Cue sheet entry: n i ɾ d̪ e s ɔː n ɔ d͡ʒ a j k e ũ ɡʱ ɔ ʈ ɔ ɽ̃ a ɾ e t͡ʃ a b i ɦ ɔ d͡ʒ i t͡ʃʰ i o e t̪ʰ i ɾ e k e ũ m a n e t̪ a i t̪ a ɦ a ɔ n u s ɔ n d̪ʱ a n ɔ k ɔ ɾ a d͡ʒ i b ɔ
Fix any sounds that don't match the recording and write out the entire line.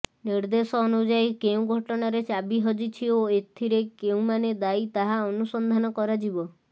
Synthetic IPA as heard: n i ɾ d̪ e s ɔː n u d͡ʒ a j k e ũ ɡʱ ɔ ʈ ɔ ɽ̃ a ɾ e t͡ʃ a b i ɦ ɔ d͡ʒ i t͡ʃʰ i o e t̪ʰ i ɾ e k e ũ m a n e d̪ a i t̪ a ɦ a ɔ n u s ɔ n d̪ʱ a n ɔ k ɔ ɾ a d͡ʒ i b ɔ